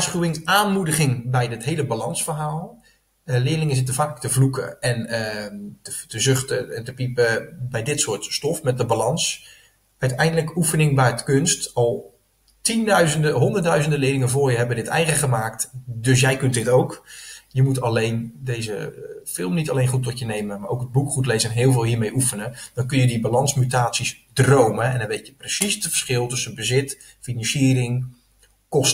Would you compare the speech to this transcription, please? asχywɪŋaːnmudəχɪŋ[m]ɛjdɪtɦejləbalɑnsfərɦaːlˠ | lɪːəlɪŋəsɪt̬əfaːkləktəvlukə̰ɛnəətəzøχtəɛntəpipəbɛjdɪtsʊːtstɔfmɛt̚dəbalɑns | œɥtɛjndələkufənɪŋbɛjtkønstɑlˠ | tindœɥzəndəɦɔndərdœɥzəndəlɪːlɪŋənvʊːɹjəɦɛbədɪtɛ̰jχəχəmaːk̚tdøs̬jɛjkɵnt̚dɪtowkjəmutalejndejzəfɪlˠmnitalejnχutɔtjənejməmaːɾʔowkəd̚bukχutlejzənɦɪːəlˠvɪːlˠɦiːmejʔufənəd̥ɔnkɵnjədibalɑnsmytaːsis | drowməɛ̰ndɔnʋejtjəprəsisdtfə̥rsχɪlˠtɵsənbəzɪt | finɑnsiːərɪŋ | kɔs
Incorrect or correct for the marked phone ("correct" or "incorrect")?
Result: incorrect